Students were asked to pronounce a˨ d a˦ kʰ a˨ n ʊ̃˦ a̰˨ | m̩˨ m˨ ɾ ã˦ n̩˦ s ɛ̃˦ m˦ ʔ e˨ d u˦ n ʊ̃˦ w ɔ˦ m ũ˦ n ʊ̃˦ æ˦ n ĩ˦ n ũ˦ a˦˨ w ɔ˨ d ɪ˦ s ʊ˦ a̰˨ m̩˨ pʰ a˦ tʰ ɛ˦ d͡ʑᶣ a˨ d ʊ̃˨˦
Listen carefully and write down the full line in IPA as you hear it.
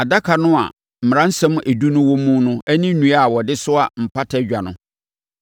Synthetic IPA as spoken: a˨ d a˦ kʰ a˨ n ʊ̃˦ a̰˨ | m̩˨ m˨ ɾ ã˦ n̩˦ s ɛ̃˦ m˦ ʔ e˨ d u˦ n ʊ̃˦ w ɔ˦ m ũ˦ n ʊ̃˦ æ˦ n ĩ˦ n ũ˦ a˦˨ w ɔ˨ d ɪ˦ s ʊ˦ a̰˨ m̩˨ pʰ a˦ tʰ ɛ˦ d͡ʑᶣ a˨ n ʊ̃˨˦